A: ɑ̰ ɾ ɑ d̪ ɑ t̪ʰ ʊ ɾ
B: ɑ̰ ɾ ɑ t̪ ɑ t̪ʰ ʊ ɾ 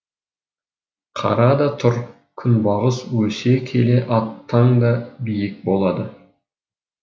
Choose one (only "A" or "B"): A